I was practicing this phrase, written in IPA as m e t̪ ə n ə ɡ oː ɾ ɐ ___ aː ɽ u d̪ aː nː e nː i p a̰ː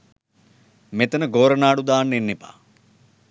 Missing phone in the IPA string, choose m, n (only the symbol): n